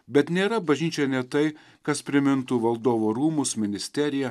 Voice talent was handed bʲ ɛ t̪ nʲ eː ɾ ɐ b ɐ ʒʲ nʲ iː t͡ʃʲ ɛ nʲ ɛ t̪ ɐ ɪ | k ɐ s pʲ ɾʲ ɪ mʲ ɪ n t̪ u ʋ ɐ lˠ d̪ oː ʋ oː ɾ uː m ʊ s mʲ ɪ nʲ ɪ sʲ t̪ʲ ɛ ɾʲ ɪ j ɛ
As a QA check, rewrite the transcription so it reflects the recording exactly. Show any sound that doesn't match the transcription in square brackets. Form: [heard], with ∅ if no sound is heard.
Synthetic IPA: bʲ ɛ t̪ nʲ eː ɾ ɐ b ɐ ʒʲ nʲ iː t͡ʃʲ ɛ nʲ ɛ t̪ ɐ ɪ | k ɐ s pʲ ɾʲ ɪ mʲ ɪ n t̪ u ʋ ɐ lˠ d̪ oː ʋ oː ɾ uː m ʊ s mʲ ɪ nʲ ɪ sʲ t̪ʲ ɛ ɾʲ ɪ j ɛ